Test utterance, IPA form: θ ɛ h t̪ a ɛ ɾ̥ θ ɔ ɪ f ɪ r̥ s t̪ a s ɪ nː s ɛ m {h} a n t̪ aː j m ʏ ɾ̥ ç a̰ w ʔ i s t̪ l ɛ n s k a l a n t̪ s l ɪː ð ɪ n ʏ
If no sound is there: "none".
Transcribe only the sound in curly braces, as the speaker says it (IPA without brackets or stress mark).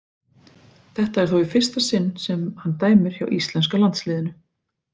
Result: h